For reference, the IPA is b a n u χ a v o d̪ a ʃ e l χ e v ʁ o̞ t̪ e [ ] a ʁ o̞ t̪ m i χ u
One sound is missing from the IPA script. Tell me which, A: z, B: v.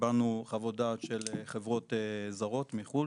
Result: A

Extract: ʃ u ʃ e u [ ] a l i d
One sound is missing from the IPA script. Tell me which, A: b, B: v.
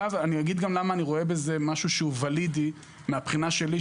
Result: B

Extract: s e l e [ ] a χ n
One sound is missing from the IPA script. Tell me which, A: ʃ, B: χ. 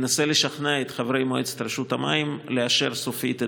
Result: A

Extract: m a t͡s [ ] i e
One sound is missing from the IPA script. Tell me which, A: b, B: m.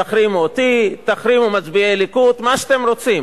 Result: A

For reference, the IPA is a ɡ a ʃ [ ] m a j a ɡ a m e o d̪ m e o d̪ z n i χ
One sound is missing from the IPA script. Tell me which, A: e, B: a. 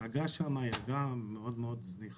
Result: B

